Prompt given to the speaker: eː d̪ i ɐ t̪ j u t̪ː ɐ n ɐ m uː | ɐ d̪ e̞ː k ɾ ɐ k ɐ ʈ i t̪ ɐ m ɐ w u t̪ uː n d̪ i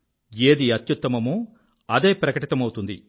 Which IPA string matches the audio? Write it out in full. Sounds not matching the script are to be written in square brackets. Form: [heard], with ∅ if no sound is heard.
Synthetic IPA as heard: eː d̪ i ɐ t̪ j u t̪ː ɐ [m] ɐ m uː | ɐ d̪ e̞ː [p] ɾ ɐ k ɐ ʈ i t̪ ɐ m ɐ w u t̪ [u] n d̪ i